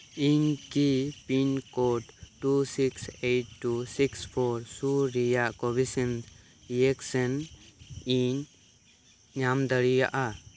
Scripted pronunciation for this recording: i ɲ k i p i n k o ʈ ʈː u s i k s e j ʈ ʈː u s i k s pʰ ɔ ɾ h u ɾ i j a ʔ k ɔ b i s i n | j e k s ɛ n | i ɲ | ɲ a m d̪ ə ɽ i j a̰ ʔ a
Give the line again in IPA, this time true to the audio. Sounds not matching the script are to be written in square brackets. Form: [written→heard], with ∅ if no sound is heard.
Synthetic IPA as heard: i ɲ k i p i n k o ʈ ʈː u s i k s e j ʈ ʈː u s i k s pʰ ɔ ɾ [h→s] u ɾ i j a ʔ k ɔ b i s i n | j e k s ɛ n | i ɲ | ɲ a m d̪ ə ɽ i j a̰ ʔ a

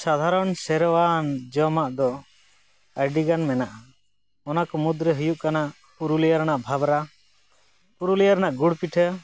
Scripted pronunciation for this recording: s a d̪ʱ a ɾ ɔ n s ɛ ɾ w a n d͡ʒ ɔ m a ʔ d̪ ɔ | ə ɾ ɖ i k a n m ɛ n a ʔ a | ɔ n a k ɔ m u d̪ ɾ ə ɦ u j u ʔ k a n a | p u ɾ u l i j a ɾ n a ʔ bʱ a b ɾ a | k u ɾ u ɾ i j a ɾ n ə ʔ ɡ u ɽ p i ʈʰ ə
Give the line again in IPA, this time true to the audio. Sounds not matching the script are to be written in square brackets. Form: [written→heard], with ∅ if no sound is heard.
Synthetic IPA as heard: s a d̪ʱ a ɾ ɔ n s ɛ ɾ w a n d͡ʒ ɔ m a ʔ d̪ ɔ | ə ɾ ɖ i [k→ɡ] a n m ɛ n a ʔ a | ɔ n a k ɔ m u d̪ ɾ ə ɦ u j u ʔ k a n a | p u ɾ u l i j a ɾ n a ʔ bʱ a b ɾ a | [k→p] u ɾ u [ɾ→l] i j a ɾ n [ə→a] ʔ ɡ u ɽ p i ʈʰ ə

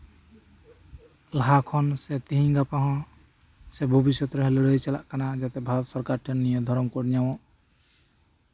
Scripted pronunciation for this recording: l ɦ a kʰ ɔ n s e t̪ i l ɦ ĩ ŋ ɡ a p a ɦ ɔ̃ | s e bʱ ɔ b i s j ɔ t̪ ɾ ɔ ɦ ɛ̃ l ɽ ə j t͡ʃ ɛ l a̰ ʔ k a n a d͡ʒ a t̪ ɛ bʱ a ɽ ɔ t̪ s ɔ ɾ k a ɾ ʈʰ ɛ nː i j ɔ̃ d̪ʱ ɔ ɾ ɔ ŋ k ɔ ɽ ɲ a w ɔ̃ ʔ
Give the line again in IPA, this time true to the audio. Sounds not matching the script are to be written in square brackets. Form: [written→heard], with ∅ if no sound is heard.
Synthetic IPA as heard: l ɦ a kʰ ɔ n s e t̪ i [l→∅] ɦ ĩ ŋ ɡ a p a ɦ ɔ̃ | s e bʱ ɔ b i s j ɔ t̪ ɾ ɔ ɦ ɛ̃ l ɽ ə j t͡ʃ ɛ l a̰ ʔ k a n a d͡ʒ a t̪ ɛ bʱ a [ɽ→ɾ] ɔ t̪ s ɔ ɾ k a ɾ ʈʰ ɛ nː i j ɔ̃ d̪ʱ ɔ ɾ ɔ [ŋ→m] k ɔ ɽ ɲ a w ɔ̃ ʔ

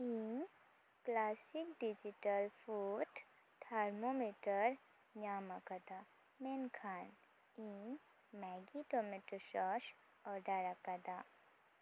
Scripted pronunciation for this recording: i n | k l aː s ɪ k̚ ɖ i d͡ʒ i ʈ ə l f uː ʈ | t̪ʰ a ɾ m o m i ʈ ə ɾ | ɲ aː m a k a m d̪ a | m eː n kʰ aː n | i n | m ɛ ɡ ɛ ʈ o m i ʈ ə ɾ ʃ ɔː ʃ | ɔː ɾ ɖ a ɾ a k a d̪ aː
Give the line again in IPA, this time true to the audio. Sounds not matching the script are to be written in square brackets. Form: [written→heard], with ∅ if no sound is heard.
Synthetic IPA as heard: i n | k l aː s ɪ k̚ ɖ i d͡ʒ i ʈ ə l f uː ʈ | t̪ʰ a ɾ m o m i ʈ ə ɾ | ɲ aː m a k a [m→∅] d̪ a | m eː n kʰ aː n | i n | m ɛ ɡ [ɛ→i] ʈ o m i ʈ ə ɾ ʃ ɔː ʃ | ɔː ɾ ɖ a ɾ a k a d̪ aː

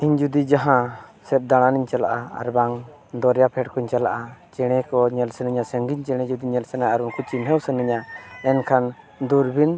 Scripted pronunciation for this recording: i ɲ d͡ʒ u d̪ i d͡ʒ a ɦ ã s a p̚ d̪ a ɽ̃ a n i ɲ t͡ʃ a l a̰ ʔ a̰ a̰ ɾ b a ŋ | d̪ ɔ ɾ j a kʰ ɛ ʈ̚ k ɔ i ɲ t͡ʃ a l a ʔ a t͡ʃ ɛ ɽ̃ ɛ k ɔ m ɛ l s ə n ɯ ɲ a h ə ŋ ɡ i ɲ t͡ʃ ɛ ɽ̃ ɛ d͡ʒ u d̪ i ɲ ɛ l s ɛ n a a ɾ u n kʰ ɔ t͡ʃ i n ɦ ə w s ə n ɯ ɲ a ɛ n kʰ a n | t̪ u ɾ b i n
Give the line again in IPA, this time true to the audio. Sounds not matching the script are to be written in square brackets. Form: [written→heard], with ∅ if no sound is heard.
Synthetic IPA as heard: i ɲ d͡ʒ u d̪ i d͡ʒ a ɦ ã s [a→ɛ] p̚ d̪ a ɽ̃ a n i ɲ t͡ʃ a l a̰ ʔ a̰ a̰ ɾ b a ŋ | d̪ ɔ ɾ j a [kʰ→pʰ] ɛ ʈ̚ k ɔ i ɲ t͡ʃ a l a ʔ a t͡ʃ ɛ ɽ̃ ɛ k ɔ [m→ɲ] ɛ l s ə n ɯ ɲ a [h→s] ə ŋ ɡ i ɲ t͡ʃ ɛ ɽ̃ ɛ d͡ʒ u d̪ i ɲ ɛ l s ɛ n a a ɾ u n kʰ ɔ t͡ʃ i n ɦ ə w s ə n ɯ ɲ a ɛ n kʰ a n | [t̪→d̪] u ɾ b i n

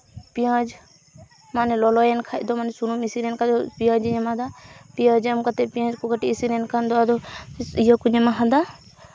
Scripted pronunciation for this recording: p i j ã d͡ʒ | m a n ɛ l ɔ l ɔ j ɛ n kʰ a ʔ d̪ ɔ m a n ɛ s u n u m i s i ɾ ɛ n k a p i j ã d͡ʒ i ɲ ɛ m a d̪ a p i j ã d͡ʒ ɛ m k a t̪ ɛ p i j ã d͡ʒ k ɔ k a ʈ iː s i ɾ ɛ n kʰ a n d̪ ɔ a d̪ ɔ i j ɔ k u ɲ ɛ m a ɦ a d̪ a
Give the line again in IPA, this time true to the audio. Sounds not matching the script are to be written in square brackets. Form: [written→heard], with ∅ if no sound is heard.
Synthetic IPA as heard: p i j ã d͡ʒ | m a n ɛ l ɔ l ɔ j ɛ n kʰ a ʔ d̪ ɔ m a n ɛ s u n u m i s i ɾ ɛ n k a p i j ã d͡ʒ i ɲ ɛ m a d̪ a p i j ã d͡ʒ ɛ m k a t̪ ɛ p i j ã d͡ʒ k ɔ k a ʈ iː s i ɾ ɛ n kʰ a n d̪ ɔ a d̪ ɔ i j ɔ k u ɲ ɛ m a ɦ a d̪ a

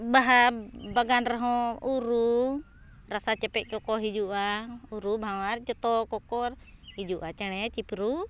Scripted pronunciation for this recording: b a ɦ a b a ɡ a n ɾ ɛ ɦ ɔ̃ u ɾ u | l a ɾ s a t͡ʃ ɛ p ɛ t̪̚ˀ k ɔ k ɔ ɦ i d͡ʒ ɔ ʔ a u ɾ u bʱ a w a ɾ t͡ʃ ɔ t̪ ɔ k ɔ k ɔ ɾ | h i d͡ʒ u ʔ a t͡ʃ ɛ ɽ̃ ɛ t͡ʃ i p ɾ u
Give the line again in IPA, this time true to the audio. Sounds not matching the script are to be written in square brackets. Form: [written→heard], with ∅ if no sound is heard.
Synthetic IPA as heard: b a ɦ a b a ɡ a n ɾ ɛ ɦ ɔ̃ u ɾ u | [l→ɾ] a [ɾ→∅] s a t͡ʃ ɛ p ɛ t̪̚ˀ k ɔ k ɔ ɦ i d͡ʒ [ɔ→u] ʔ a u ɾ u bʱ a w a ɾ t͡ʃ ɔ t̪ ɔ k ɔ k ɔ ɾ | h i d͡ʒ u ʔ a t͡ʃ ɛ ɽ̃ ɛ t͡ʃ i p ɾ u

